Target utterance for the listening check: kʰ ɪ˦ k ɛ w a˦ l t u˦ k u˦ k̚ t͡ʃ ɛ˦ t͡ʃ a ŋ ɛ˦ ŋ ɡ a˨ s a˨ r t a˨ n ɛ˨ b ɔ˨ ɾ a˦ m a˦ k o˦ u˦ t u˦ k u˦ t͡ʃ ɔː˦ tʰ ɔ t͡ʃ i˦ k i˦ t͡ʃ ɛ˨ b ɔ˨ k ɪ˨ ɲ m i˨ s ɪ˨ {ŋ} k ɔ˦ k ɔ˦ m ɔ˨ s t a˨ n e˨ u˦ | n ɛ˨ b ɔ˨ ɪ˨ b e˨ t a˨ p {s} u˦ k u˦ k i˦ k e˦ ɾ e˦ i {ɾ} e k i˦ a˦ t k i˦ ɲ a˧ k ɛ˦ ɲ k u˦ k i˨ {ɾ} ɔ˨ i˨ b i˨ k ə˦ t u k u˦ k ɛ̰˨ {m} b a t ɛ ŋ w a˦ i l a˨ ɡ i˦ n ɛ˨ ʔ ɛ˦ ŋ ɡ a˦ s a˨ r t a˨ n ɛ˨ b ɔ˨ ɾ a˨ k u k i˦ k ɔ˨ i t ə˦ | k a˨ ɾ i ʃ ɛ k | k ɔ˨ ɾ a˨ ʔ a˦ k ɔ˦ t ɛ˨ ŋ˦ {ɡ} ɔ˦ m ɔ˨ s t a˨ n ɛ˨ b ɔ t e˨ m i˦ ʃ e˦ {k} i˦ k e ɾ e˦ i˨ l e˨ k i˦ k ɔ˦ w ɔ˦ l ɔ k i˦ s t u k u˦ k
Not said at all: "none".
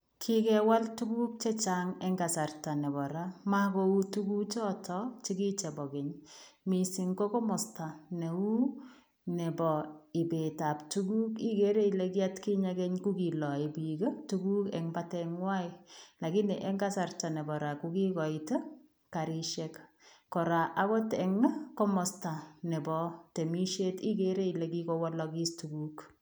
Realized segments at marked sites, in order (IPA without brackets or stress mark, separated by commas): ŋ, t, l, l, ŋ, k, t